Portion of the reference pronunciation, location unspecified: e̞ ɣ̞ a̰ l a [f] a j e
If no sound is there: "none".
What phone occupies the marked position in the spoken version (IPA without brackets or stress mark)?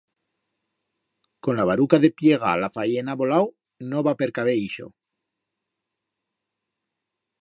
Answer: f